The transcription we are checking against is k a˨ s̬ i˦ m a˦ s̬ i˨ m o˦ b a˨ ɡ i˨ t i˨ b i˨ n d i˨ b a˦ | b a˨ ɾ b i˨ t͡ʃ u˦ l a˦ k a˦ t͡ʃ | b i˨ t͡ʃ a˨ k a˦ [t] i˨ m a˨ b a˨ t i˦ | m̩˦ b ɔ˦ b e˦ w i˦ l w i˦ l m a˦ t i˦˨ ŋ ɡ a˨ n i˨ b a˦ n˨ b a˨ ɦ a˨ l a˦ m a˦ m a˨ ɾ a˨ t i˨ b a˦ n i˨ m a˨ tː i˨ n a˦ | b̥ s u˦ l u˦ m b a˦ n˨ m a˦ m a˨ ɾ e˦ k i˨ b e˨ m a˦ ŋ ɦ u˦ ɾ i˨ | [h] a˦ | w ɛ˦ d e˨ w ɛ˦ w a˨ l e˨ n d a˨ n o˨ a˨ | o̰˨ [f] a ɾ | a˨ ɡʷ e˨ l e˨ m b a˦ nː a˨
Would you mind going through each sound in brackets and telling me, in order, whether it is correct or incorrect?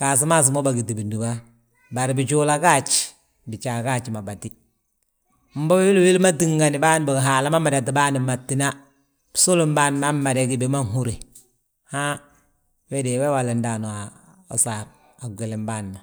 incorrect, correct, incorrect

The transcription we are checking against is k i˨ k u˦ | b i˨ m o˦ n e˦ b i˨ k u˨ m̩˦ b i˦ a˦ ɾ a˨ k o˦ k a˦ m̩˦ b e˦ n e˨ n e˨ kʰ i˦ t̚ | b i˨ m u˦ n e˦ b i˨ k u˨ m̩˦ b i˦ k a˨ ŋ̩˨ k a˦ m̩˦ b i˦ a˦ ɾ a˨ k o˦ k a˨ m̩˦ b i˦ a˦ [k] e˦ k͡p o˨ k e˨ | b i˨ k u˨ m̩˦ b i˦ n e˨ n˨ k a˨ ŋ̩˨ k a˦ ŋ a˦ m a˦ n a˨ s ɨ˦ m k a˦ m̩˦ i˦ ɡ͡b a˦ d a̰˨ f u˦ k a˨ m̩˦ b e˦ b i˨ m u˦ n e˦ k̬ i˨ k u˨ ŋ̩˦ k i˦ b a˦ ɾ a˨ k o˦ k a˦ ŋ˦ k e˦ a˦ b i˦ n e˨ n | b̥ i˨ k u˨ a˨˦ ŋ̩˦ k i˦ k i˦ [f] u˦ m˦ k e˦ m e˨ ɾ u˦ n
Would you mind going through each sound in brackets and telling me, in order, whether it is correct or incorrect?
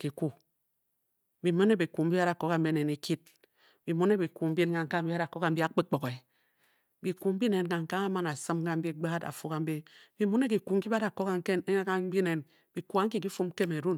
incorrect, correct

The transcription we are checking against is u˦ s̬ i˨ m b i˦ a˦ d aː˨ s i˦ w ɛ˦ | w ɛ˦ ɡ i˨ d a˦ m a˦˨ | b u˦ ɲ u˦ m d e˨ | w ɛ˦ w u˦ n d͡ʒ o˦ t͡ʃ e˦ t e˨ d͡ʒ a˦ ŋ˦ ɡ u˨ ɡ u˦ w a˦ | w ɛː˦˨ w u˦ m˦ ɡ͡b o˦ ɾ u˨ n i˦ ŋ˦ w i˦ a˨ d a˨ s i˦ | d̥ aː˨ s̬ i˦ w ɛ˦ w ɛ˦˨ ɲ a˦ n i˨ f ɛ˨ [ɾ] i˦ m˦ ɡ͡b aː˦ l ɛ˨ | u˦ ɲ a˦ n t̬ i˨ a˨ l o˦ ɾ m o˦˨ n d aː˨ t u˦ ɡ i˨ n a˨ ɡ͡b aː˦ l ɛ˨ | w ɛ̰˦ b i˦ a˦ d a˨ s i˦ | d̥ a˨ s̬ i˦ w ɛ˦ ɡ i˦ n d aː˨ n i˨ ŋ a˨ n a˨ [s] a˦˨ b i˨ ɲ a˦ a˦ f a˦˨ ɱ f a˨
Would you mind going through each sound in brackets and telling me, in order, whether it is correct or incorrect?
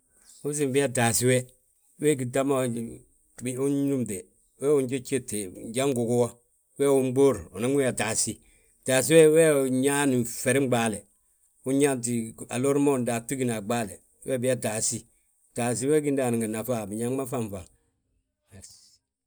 correct, incorrect

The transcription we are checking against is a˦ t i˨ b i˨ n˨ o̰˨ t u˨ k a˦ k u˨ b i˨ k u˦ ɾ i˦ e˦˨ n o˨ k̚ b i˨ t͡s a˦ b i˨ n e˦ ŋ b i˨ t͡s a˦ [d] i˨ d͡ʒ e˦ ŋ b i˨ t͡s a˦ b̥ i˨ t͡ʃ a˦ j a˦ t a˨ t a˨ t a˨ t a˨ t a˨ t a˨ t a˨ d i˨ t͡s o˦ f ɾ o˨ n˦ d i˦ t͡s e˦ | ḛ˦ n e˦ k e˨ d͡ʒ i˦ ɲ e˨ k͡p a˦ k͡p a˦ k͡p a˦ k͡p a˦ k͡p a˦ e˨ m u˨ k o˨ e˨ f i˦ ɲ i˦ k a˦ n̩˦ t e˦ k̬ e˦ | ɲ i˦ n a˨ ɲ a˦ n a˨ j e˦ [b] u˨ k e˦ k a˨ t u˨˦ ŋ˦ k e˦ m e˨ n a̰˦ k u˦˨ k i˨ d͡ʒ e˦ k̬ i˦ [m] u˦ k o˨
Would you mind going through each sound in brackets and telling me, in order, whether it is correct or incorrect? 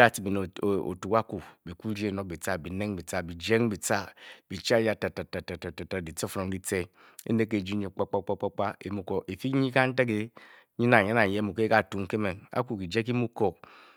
incorrect, incorrect, correct

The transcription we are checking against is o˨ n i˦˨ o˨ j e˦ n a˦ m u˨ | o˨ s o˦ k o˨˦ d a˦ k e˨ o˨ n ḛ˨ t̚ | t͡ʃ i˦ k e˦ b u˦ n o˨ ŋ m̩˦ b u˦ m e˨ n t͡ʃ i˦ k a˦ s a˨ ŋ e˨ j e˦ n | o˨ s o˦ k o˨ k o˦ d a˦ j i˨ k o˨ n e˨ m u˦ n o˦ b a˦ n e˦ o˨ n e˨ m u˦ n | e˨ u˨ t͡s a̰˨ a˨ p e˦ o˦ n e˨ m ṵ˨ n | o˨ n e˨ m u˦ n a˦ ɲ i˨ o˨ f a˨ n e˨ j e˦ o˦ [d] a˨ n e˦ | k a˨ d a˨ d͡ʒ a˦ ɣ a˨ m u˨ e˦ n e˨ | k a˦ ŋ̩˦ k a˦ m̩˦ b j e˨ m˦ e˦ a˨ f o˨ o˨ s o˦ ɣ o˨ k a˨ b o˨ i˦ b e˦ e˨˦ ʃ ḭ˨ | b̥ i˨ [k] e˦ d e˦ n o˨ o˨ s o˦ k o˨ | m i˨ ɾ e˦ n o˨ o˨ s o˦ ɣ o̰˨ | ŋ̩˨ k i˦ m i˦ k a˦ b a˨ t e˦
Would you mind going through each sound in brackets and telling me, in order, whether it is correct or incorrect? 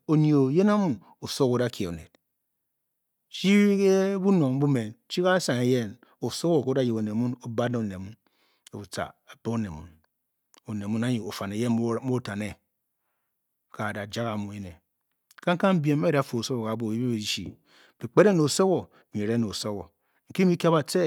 incorrect, incorrect

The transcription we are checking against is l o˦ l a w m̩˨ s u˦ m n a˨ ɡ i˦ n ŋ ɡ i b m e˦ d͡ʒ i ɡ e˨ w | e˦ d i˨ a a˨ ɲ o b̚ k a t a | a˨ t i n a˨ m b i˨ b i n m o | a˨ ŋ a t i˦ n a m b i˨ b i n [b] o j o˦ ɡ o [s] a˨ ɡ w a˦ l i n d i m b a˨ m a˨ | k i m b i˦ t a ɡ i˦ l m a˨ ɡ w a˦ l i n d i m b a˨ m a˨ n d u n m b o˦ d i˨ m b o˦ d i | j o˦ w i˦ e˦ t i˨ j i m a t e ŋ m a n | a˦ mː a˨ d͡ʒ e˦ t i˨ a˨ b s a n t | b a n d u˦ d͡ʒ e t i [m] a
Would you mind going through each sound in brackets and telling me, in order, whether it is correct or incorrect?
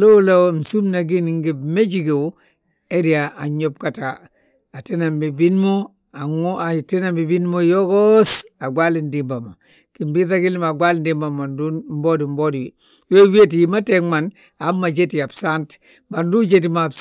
incorrect, correct, correct

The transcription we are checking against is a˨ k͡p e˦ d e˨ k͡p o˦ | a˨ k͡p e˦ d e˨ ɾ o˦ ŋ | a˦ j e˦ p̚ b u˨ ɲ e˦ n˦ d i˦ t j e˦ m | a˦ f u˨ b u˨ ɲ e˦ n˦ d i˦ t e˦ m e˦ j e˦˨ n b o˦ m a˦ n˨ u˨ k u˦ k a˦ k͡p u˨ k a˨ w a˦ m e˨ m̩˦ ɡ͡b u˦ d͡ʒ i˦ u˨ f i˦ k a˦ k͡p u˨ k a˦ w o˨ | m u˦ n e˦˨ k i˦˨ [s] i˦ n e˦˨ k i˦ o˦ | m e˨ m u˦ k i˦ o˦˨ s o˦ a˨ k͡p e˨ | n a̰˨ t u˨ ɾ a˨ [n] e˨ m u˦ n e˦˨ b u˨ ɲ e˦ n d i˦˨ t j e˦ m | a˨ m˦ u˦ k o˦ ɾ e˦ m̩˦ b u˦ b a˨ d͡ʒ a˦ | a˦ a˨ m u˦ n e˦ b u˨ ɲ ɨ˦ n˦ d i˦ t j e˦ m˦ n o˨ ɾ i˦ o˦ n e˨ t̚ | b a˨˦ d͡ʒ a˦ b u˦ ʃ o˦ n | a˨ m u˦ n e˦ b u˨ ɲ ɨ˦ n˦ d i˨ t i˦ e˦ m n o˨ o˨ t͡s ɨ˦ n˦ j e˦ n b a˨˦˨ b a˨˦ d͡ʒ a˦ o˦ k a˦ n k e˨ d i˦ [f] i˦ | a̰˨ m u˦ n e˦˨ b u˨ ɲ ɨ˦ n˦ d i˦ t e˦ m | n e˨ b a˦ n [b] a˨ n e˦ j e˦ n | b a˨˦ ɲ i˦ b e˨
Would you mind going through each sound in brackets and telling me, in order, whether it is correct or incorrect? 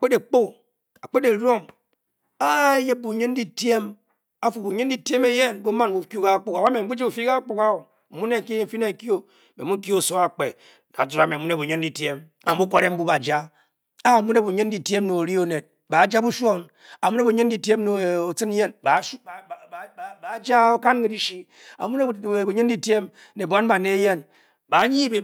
incorrect, incorrect, incorrect, correct

